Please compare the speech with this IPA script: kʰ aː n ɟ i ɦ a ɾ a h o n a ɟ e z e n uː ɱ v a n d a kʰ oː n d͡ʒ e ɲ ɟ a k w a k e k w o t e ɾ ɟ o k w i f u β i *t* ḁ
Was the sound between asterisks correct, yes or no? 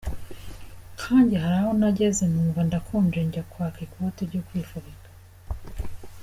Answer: no